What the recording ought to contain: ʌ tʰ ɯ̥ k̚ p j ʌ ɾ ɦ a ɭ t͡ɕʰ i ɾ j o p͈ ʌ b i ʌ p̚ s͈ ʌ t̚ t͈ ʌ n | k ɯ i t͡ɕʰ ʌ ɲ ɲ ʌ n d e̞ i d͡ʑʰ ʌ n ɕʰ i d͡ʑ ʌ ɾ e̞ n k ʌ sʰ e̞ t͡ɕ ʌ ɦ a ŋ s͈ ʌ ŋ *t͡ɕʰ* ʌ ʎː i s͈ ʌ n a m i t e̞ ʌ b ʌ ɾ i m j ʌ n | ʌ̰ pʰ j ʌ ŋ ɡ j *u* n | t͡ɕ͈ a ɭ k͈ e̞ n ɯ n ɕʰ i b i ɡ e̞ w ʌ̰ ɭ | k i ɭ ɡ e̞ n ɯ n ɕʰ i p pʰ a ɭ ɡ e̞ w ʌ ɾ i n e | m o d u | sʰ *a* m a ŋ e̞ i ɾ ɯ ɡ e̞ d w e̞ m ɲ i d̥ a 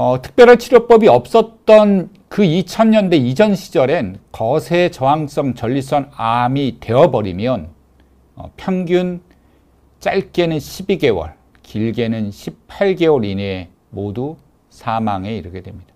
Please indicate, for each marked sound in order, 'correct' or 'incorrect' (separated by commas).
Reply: incorrect, correct, correct